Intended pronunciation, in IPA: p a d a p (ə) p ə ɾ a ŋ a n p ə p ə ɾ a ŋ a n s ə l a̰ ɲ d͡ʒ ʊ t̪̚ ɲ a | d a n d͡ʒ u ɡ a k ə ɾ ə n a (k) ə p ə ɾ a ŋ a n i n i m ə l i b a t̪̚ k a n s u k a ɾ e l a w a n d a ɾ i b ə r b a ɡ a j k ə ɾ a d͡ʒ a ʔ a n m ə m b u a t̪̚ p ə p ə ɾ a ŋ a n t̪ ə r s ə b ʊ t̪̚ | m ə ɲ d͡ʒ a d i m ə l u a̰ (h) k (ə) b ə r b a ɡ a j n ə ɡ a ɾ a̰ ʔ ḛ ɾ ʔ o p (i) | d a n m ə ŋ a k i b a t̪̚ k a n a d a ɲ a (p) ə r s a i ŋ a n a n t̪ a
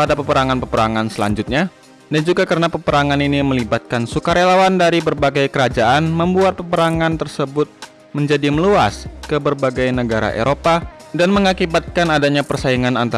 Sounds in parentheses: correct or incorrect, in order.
correct, incorrect: p, incorrect: s, correct, incorrect: a, correct

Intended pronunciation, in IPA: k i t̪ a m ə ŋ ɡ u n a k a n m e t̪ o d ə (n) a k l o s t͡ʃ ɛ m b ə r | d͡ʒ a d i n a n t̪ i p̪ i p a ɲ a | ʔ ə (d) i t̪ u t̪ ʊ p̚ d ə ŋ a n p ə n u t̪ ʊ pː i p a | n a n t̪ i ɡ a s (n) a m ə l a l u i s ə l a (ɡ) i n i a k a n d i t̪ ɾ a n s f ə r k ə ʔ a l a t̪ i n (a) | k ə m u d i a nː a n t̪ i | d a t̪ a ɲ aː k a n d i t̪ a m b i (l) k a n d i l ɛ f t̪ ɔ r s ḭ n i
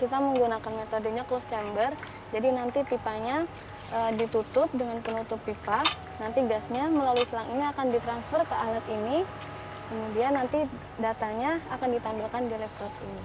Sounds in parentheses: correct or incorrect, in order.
incorrect: ɲ, correct, incorrect: ɲ, incorrect: ŋ, incorrect: i, correct

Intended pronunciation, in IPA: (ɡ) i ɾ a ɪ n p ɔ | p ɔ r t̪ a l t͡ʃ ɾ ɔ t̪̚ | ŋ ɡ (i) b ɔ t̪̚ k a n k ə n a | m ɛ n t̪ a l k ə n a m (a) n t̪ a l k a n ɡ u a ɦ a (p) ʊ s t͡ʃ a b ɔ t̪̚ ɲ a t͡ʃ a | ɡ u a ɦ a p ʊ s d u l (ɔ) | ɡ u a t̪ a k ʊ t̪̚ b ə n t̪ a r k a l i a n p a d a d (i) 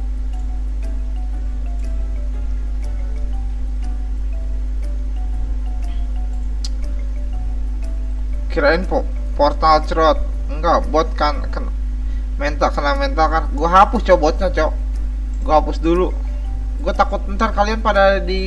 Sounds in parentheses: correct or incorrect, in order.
incorrect: k, incorrect: a, incorrect: ɛ, correct, incorrect: u, correct

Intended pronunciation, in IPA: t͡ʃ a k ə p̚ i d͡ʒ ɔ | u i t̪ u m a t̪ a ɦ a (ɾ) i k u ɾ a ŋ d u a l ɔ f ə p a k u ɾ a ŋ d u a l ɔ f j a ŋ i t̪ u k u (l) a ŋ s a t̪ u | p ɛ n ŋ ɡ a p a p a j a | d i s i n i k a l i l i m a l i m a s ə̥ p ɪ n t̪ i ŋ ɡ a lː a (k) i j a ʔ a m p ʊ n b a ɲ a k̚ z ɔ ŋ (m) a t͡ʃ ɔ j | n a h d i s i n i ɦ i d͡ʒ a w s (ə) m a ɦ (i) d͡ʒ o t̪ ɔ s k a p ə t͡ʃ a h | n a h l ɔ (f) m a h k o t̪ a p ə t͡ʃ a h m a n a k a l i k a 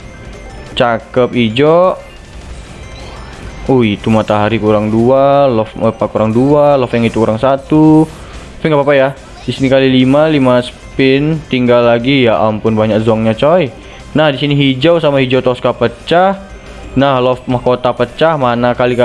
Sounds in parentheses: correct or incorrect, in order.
correct, incorrect: ɾ, incorrect: ɡ, incorrect: ɲ, incorrect: a, correct, correct

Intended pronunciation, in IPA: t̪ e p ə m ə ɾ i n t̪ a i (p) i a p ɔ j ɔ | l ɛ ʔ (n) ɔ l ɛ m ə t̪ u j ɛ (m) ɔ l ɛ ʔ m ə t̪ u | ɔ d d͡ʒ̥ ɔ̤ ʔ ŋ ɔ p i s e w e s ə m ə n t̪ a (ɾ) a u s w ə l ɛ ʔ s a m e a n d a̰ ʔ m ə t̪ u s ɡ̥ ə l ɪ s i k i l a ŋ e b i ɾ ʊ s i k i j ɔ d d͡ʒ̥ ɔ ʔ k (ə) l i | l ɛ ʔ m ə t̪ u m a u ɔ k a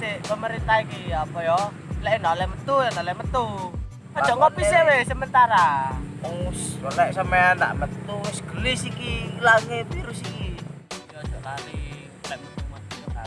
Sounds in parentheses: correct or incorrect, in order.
incorrect: k, correct, incorrect: n, correct, incorrect: a

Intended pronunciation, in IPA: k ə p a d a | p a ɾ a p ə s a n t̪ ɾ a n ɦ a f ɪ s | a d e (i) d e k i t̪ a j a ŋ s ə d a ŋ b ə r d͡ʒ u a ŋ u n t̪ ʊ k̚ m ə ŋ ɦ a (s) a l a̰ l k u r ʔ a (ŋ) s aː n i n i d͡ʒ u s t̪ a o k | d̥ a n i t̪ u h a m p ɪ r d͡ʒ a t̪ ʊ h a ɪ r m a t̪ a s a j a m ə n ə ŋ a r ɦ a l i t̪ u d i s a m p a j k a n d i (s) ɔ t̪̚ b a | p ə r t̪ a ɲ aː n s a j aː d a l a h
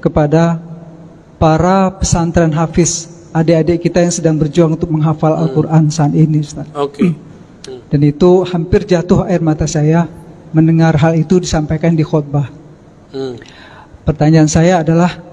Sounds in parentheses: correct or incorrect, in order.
incorrect: a, incorrect: f, incorrect: n, incorrect: x

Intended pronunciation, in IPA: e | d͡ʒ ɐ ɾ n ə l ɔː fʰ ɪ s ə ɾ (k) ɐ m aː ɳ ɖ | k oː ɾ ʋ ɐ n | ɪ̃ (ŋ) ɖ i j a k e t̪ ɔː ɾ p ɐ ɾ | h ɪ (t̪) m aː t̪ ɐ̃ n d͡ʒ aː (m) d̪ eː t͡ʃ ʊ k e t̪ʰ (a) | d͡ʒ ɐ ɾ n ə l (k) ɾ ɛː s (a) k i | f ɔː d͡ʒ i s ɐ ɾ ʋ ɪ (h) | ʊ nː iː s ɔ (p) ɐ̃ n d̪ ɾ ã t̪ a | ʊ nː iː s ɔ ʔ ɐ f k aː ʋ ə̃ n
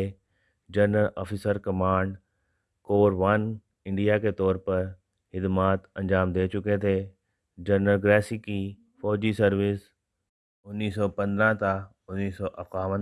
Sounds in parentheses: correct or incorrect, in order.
correct, incorrect: ɳ, incorrect: d̪, correct, incorrect: e, incorrect: ɡ, incorrect: i, incorrect: s, correct

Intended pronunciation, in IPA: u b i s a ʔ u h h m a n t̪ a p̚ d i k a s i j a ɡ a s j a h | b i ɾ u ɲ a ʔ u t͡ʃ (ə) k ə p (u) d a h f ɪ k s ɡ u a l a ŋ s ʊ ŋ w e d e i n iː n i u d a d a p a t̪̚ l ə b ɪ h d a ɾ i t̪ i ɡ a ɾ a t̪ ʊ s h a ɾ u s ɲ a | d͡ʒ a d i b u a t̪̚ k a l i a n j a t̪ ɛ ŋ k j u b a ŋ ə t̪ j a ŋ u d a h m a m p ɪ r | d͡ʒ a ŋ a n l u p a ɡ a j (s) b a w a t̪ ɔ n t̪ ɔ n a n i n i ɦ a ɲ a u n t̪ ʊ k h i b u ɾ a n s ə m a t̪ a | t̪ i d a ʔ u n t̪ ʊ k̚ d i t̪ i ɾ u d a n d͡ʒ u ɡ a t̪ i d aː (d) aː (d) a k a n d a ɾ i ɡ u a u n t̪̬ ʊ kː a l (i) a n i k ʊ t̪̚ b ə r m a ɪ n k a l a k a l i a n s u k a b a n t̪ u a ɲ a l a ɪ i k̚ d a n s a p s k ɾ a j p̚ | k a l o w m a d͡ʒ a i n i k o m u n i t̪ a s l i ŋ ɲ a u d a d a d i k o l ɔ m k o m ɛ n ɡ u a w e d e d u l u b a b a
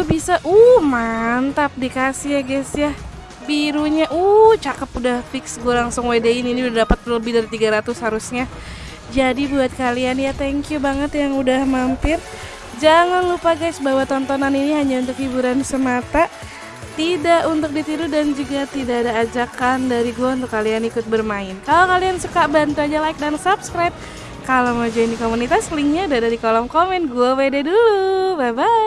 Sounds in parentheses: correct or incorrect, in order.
incorrect: a, correct, correct, correct, incorrect: d͡ʒ, correct

